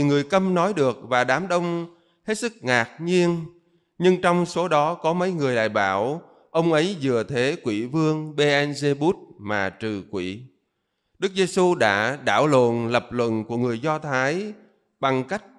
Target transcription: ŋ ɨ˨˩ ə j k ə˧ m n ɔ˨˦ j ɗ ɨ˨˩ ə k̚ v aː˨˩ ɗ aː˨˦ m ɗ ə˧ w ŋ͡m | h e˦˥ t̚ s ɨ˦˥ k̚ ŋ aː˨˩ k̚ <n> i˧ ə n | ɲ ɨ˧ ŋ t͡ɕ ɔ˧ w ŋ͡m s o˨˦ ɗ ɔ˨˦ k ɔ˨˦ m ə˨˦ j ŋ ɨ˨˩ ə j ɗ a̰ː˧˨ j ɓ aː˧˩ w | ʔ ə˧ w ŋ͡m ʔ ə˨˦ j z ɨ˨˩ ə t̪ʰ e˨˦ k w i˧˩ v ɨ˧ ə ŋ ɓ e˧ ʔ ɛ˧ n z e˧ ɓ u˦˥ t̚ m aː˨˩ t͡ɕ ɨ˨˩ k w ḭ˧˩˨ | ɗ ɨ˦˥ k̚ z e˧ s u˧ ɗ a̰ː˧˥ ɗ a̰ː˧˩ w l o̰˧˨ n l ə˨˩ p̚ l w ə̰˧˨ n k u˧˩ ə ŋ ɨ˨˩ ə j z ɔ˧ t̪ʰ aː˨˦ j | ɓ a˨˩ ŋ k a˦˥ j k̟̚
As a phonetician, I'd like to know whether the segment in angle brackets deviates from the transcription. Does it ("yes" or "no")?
yes